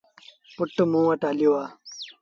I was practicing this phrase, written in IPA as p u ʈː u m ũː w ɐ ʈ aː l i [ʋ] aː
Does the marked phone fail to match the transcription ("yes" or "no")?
yes